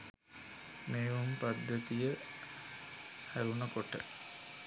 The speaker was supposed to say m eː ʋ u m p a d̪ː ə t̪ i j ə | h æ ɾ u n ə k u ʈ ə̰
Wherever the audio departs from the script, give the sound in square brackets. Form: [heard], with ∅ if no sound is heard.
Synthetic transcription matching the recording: m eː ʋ u m p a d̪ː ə t̪ i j ə | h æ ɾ u n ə k [o] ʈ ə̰